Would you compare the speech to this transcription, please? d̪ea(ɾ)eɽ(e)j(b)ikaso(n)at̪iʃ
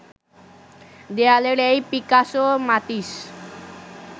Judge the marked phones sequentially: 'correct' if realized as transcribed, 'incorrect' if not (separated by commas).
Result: incorrect, correct, incorrect, incorrect